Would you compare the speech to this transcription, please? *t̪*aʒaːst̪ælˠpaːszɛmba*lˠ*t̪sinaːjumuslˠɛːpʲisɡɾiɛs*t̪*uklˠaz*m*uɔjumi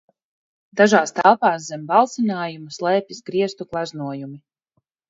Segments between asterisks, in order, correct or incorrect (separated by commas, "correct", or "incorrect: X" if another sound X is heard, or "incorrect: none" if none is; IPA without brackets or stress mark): incorrect: d̪, correct, correct, incorrect: n